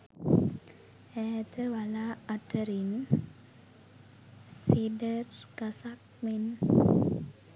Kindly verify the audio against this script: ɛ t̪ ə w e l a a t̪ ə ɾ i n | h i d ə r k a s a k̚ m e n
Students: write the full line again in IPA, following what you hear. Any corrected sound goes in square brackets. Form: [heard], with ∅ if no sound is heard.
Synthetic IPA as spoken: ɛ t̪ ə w [a] l a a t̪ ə ɾ i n | [s] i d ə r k a s a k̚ m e n